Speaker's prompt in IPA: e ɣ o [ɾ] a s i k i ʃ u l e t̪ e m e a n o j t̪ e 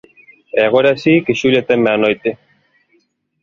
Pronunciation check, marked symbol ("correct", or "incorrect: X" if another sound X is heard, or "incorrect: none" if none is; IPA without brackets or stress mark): correct